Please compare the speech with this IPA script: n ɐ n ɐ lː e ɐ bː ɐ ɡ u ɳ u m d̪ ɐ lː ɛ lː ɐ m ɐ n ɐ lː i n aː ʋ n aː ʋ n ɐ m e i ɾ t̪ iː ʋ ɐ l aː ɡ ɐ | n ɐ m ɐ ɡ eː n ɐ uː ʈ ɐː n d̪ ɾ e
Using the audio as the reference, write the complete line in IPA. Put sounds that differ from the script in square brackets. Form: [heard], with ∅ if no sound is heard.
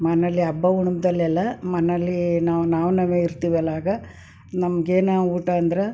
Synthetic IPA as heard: [m] ɐ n ɐ lː [i] ɐ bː ɐ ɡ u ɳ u m d̪ ɐ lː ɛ lː ɐ m ɐ n ɐ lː i n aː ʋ n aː ʋ n ɐ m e i ɾ t̪ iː ʋ ɐ l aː ɡ ɐ | n ɐ m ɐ ɡ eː n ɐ uː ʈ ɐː n d̪ ɾ e